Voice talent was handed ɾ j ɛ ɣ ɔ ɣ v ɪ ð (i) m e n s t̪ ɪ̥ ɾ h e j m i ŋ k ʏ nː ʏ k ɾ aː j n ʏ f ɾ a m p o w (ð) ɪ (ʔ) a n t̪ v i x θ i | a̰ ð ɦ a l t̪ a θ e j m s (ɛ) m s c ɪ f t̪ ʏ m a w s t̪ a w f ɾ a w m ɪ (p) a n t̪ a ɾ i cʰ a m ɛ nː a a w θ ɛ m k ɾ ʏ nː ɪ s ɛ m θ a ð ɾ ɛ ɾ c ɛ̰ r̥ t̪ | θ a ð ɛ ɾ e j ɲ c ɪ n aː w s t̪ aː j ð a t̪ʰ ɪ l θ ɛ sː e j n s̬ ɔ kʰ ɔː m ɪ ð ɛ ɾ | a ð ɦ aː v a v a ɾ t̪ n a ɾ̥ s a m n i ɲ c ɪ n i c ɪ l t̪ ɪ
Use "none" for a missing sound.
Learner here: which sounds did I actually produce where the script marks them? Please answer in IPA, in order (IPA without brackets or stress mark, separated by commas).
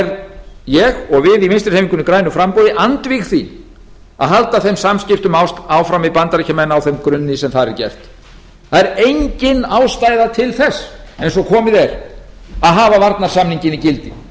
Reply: i, ð, ʔ, a, p